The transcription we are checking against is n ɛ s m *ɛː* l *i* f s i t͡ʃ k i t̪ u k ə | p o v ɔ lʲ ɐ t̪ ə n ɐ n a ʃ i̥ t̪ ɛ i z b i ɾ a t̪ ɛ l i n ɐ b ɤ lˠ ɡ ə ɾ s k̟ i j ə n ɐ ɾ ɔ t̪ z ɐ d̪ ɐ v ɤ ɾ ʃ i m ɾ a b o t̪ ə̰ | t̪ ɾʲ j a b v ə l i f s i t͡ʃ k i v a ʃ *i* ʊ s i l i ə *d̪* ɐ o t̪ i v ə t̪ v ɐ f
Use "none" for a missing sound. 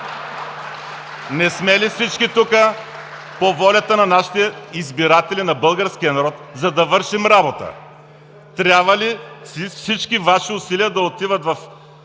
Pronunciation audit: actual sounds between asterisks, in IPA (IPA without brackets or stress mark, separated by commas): ɛ, i, i, d̪